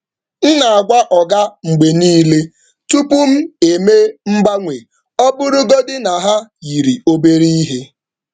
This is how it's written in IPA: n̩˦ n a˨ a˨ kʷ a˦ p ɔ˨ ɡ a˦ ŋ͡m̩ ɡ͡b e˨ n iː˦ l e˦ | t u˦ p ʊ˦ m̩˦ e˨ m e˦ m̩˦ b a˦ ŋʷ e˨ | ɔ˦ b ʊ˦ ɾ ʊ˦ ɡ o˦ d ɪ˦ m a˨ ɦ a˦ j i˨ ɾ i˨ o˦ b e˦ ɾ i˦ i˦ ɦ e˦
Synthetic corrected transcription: n̩˦ n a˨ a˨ ɡʷ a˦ ʔ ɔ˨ ɡ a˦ ŋ͡m̩ ɡ͡b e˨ n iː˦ l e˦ | t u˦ p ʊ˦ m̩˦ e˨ m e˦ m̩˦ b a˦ ŋʷ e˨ | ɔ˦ b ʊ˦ ɾ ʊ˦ ɡ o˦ d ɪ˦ n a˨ ɦ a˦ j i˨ ɾ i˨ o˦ b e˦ ɾ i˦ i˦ ɦ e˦